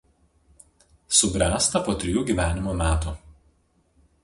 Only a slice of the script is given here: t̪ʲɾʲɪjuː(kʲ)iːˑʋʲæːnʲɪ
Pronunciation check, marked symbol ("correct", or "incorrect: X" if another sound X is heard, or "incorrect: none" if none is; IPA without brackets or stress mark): incorrect: ɡʲ